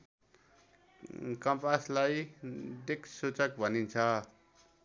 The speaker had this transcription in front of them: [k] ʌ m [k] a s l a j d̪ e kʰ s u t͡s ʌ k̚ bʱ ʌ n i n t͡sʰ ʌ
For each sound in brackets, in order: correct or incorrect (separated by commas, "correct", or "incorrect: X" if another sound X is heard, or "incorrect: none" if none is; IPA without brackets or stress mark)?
correct, incorrect: p